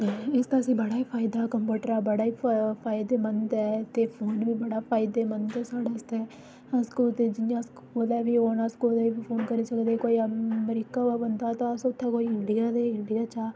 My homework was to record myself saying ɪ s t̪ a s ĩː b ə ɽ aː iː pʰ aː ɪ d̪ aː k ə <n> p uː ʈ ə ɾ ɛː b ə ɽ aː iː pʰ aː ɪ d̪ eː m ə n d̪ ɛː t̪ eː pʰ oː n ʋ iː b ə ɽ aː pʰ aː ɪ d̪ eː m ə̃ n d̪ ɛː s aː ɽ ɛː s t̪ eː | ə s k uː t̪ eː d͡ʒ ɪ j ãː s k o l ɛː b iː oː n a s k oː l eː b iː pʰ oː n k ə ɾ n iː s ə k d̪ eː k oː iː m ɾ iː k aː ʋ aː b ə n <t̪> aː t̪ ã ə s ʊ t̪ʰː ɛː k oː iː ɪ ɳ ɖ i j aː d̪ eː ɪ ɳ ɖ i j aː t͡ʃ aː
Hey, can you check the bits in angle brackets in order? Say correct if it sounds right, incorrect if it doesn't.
incorrect, incorrect

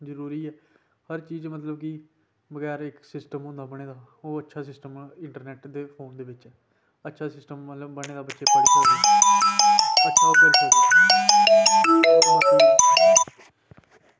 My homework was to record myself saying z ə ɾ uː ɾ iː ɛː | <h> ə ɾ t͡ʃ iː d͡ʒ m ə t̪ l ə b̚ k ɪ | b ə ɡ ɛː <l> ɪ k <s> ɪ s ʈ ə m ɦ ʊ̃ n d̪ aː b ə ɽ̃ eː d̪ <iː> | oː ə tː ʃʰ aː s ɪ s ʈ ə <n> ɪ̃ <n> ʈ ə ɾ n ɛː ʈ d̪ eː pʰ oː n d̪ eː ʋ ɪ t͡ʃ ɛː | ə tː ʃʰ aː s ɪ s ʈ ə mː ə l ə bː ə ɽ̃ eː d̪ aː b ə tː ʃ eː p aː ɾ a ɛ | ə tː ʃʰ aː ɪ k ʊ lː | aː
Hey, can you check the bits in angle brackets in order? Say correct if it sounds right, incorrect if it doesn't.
correct, incorrect, correct, incorrect, incorrect, incorrect

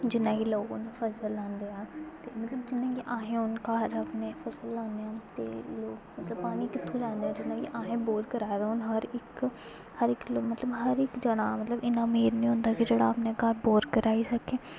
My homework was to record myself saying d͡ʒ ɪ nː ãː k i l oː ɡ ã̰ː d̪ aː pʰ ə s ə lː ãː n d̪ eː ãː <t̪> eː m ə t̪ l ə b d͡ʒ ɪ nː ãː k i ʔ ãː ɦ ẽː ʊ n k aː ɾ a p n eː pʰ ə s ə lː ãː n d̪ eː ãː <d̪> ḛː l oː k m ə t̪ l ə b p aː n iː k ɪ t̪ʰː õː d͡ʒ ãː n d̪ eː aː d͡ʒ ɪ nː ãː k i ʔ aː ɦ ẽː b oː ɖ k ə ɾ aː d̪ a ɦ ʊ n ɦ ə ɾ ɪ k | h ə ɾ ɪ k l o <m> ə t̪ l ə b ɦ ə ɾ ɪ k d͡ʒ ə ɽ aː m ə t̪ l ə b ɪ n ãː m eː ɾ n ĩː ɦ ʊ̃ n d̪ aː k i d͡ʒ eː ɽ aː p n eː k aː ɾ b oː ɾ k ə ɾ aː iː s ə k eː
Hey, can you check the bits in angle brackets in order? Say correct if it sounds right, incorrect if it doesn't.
correct, incorrect, correct

